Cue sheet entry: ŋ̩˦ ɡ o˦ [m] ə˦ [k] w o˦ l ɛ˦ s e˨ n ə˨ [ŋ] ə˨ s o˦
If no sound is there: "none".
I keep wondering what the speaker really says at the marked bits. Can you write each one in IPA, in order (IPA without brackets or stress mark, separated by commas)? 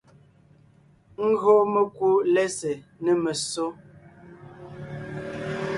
m, k, m